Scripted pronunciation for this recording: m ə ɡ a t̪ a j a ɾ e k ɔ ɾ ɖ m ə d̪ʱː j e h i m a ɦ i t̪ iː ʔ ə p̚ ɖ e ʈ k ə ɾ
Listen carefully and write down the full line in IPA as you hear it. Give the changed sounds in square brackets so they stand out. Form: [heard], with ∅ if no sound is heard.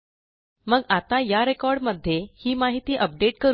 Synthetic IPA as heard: m ə ɡ a t̪ a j a ɾ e k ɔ ɾ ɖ m ə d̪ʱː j e h [iː] m a ɦ i t̪ iː ʔ ə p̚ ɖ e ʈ k ə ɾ

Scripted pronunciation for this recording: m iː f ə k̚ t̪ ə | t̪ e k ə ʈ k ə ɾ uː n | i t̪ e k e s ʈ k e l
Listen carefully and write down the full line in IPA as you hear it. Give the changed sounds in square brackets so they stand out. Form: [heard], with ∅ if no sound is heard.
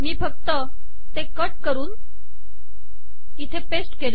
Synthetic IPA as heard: m iː f ə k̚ t̪ ə | t̪ e k ə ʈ k ə ɾ uː n | i [t̪ʰ] e [p] e s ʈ k e l

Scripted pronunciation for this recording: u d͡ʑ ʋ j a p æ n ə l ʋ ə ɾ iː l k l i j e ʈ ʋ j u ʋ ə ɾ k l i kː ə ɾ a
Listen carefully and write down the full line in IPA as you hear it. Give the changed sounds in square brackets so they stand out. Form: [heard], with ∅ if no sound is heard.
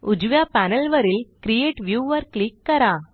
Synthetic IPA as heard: u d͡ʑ ʋ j a p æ n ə l ʋ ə ɾ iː l k [ɾ] i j e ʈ ʋ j u ʋ ə ɾ k l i kː ə ɾ a

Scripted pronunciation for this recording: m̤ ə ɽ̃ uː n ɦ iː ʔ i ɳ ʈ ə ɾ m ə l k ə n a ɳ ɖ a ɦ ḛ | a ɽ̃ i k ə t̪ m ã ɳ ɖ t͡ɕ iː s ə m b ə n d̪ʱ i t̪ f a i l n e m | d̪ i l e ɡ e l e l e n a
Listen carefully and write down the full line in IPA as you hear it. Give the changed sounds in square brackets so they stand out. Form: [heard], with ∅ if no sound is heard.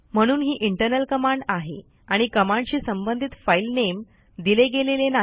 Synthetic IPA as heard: m̤ ə ɽ̃ uː n ɦ iː ʔ i ɳ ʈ ə ɾ [n] ə l k ə [m] a ɳ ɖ a ɦ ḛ | a ɽ̃ i k ə [∅] m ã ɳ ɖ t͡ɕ iː s ə m b ə n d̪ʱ i t̪ f a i l n e m | d̪ i l e ɡ e l e l e n a

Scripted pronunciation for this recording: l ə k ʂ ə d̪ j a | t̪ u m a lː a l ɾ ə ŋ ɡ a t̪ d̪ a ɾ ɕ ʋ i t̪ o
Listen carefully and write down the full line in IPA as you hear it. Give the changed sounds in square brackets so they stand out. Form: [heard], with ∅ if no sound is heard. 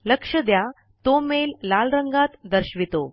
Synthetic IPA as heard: l ə k ʂ ə d̪ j a | t̪ [o] m [e] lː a l ɾ ə ŋ ɡ a t̪ d̪ [ə] ɾ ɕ ʋ i t̪ o

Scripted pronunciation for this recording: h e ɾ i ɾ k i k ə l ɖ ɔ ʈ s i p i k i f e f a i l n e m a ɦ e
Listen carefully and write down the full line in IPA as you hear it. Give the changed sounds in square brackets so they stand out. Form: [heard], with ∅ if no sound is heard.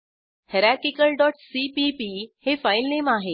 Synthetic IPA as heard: h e ɾ [a] ɾ k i k ə l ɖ ɔ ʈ s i p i [p] i [h] e f a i l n e m a ɦ e

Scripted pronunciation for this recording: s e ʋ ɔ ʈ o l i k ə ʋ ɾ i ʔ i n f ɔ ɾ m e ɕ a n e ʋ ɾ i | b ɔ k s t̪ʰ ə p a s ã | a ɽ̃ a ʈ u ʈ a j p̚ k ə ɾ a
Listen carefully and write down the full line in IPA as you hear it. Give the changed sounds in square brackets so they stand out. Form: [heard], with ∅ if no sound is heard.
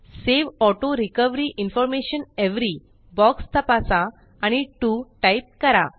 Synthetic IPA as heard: s e ʋ ɔ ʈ o [ɾ] i k ə ʋ ɾ i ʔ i n f ɔ ɾ m e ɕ [ə] n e ʋ ɾ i | b ɔ k s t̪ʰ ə p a s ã | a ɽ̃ [i] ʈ u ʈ a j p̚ k ə ɾ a

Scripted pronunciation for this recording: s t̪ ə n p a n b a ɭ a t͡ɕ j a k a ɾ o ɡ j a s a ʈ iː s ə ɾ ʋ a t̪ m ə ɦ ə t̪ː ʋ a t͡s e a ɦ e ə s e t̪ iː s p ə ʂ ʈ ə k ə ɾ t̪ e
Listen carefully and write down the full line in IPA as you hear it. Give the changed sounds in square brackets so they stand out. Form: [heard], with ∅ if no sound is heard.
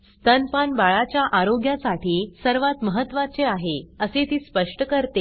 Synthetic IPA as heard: s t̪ ə n p a n b a ɭ a t͡ɕ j a [ʔ] a ɾ o ɡ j a s a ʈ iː s ə ɾ ʋ a t̪ m ə ɦ ə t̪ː ʋ a t͡s e a ɦ e ə s e t̪ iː s p ə ʂ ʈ ə k ə ɾ t̪ e

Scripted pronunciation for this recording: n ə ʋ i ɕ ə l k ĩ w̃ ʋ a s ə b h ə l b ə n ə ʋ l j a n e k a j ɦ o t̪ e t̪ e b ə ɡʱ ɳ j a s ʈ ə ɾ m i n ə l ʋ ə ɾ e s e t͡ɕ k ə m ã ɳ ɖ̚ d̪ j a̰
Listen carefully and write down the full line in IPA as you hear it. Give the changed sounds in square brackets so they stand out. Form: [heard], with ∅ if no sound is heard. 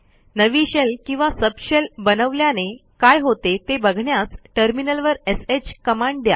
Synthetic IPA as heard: n ə ʋ i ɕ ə l k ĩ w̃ ʋ a s ə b [ɕ] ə l b ə n ə ʋ l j a n e k a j ɦ o t̪ e t̪ e b ə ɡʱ ɳ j a s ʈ ə ɾ m i n ə l ʋ ə ɾ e s e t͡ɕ k ə m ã ɳ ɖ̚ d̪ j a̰

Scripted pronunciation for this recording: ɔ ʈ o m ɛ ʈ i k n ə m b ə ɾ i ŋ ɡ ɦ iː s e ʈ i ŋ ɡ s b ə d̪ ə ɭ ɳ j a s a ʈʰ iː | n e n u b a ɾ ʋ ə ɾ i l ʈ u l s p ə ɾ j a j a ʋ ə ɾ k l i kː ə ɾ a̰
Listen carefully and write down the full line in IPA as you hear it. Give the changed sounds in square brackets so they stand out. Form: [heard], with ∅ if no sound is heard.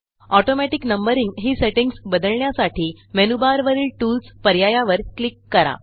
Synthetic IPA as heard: ɔ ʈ o m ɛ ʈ i k n ə m b ə ɾ i ŋ ɡ ɦ iː s e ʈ i ŋ ɡ s b ə d̪ ə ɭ ɳ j a s a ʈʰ iː | [m] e n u b a ɾ ʋ ə ɾ [iː] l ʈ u l s p ə ɾ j a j a ʋ ə ɾ k l i kː ə ɾ a̰

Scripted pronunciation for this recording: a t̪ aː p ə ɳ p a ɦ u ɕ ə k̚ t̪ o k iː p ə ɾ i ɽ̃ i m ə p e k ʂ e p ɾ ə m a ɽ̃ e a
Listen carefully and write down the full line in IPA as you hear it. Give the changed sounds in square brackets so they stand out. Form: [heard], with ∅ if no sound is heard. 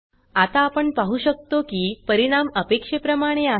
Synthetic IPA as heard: a t̪ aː p ə ɳ p a ɦ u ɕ ə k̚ t̪ o k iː p ə ɾ i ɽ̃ [a] m ə p e k ʂ e p ɾ ə m a ɽ̃ e a

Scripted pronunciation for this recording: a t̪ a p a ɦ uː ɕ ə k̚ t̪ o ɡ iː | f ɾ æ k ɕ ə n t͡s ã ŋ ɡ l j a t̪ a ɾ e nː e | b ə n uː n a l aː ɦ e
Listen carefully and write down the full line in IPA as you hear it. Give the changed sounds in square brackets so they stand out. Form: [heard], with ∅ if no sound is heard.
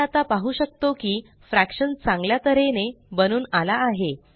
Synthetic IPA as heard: a t̪ a p a ɦ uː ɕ ə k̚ t̪ o [k] iː | f ɾ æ k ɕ ə n t͡s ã ŋ ɡ l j a t̪ [ə] ɾ e [n] e | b ə n uː n a l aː ɦ e

